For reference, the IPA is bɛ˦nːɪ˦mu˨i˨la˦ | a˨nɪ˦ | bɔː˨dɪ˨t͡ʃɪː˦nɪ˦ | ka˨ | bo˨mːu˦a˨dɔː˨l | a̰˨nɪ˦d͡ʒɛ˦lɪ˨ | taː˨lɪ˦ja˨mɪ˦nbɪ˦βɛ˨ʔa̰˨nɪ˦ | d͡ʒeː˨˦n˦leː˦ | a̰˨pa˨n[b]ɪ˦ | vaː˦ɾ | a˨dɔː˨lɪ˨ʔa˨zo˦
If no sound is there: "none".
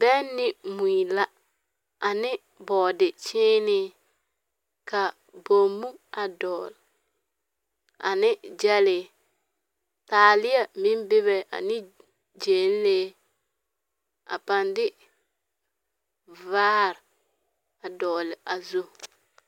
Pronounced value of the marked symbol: d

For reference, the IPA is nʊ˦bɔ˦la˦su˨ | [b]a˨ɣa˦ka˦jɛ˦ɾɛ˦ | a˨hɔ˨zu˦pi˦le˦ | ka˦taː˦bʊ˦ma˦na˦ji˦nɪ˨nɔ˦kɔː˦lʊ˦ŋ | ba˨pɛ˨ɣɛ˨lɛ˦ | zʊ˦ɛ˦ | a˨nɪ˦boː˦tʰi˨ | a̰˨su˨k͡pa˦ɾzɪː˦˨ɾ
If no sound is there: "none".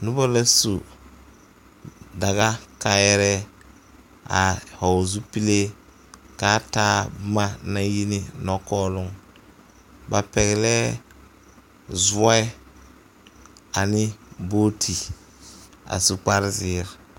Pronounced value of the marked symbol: d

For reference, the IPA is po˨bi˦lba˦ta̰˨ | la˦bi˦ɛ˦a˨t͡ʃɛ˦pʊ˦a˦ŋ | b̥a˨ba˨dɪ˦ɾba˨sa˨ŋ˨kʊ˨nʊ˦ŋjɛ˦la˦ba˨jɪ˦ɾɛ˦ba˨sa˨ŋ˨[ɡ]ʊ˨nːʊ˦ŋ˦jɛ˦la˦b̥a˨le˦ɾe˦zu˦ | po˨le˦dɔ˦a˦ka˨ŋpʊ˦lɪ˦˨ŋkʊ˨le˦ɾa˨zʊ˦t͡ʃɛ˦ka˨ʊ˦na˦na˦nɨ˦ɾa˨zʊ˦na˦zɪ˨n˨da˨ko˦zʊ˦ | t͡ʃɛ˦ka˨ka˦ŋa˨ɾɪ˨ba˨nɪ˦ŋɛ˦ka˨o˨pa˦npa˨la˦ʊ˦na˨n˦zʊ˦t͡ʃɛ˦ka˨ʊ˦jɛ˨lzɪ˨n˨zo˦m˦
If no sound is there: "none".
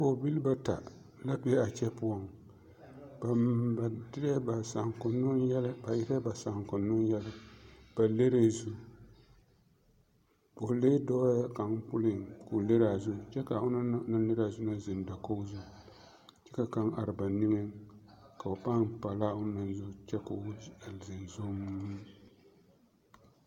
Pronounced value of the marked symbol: k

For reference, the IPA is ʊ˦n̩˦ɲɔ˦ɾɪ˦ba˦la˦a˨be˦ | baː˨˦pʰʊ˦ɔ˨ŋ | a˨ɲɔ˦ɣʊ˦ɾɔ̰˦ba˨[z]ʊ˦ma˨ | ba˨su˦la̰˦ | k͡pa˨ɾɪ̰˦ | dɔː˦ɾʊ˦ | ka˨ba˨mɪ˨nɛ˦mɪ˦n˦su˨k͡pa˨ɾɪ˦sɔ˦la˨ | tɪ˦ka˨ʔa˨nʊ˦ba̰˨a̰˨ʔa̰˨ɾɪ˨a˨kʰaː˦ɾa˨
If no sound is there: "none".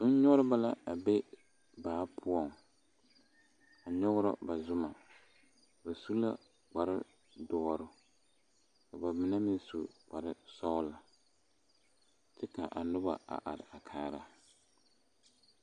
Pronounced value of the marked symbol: z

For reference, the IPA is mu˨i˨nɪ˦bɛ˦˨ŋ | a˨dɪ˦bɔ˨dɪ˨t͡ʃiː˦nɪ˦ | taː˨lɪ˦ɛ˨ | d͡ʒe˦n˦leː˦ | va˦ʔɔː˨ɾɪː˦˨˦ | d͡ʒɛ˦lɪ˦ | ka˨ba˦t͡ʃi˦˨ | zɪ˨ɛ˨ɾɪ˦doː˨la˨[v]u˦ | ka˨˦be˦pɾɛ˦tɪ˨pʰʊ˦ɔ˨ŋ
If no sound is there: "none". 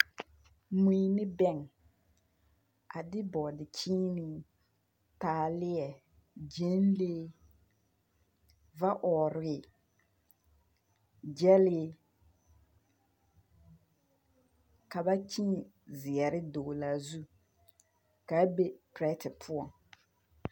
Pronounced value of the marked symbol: z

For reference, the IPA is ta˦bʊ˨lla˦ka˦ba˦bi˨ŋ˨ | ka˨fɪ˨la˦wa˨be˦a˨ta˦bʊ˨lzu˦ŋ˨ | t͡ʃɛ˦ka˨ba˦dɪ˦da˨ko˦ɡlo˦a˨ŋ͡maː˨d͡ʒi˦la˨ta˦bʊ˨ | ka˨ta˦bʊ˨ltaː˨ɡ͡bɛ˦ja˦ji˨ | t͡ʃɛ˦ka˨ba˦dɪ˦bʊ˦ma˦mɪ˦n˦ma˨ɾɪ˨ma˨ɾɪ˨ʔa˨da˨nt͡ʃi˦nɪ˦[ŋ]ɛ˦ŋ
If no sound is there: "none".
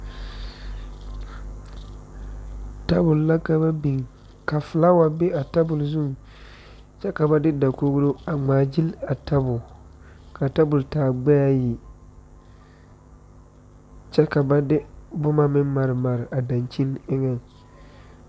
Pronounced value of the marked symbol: ŋ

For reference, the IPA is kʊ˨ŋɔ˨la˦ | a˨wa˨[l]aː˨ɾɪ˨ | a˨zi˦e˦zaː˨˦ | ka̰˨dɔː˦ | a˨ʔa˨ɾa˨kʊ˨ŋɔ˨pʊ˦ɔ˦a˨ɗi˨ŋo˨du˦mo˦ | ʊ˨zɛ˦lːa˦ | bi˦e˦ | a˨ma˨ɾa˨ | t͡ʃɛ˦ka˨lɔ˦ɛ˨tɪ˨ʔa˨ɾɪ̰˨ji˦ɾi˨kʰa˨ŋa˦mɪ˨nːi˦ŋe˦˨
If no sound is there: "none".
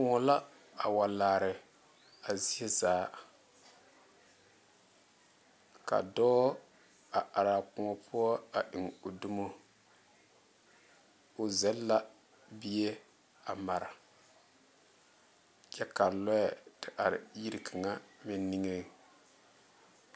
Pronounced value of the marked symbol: l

